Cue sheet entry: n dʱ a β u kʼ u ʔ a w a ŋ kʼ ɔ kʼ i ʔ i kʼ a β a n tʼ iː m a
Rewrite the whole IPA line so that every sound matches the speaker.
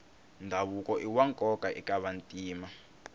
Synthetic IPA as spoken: n dʱ a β u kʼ ɔ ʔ i w a ŋ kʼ ɔ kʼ a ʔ i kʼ a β a n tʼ iː m a